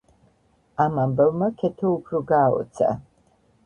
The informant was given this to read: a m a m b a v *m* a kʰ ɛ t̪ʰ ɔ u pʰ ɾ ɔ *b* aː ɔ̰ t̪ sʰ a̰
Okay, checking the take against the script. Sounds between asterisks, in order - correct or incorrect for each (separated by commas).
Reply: correct, incorrect